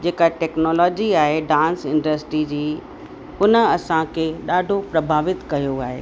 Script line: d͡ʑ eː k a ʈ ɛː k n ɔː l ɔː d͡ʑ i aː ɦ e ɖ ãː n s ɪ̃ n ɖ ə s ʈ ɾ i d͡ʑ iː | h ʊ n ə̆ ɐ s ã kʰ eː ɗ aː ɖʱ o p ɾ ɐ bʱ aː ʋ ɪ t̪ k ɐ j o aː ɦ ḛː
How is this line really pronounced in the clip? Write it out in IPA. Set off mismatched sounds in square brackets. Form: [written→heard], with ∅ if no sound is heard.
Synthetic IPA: d͡ʑ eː k a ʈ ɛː k n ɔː l ɔː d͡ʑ i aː ɦ e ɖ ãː n s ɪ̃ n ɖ ə s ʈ ɾ i d͡ʑ iː | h ʊ n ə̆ ɐ s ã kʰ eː ɗ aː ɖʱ o p ɾ ɐ bʱ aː ʋ ɪ t̪ k ɐ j o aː ɦ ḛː